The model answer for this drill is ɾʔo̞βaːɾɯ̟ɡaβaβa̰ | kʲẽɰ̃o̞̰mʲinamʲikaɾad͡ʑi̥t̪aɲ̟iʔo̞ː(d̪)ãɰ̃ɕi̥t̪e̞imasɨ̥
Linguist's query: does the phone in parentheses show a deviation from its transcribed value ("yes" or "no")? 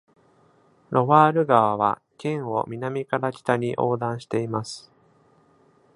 no